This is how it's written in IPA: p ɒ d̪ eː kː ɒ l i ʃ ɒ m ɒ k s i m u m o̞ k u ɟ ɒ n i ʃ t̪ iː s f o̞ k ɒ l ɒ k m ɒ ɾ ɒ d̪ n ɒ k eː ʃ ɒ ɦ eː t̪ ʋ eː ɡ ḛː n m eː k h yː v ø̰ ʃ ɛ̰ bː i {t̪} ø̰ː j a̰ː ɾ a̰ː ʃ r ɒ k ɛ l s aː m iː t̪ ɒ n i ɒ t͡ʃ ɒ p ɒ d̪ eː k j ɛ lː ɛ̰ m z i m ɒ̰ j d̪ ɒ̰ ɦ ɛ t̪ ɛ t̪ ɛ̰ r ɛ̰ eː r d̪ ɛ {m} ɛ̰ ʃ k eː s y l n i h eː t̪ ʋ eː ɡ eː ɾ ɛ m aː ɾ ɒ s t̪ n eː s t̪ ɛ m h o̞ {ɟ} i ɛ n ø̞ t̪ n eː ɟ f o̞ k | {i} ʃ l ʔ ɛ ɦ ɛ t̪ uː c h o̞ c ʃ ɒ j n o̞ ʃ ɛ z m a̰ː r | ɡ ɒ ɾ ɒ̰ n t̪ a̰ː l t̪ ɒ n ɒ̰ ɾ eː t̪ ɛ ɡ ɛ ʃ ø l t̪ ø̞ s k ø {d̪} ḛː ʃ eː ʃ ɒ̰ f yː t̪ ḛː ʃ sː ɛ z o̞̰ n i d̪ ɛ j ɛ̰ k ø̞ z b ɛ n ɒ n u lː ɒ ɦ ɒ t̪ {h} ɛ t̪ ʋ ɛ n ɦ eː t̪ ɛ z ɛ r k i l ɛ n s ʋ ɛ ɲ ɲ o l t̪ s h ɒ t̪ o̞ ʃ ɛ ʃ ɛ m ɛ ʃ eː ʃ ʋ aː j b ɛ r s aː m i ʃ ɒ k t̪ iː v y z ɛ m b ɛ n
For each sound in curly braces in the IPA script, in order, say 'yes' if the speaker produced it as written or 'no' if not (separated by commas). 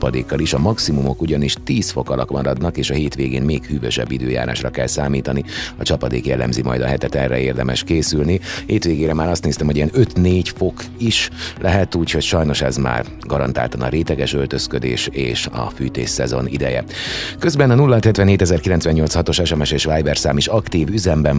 no, yes, yes, yes, yes, yes